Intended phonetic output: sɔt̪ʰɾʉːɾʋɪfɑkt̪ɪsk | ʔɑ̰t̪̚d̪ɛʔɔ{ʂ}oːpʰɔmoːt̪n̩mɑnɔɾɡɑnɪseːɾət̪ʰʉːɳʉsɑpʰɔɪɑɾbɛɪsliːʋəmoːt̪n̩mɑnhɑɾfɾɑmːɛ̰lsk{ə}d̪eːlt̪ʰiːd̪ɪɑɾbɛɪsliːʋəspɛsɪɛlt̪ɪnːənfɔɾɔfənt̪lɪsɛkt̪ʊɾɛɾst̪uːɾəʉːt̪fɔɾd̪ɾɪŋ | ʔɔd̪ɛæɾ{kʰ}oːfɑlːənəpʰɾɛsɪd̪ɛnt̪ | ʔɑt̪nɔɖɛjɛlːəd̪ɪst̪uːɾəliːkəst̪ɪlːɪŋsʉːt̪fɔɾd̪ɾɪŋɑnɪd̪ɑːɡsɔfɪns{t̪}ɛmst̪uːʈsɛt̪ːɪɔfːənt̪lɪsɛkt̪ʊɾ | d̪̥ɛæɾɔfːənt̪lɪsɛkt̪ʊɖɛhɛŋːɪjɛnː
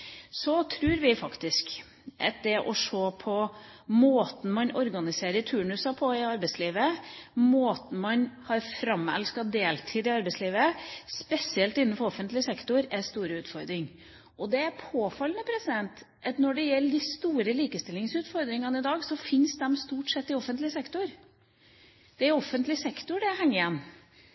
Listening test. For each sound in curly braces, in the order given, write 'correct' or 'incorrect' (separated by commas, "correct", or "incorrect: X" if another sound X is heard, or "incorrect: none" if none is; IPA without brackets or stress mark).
correct, incorrect: ɑ, incorrect: pʰ, incorrect: d̪